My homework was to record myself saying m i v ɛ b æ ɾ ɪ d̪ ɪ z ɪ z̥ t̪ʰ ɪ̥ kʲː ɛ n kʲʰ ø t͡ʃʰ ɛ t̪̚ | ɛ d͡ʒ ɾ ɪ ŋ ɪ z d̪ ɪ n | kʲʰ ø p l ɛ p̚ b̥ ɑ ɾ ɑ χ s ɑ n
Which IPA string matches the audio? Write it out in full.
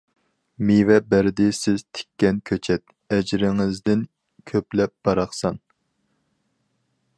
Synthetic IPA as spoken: m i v ɛ b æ ɾ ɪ d̪ ɪ s ɪ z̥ t̪ʰ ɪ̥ kʲː ɛ n kʲʰ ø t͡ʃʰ ɛ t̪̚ | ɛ d͡ʒ ɾ ɪ ŋ ɪ z d̪ ɪ n | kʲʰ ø p l ɛ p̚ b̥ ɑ ɾ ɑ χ s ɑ n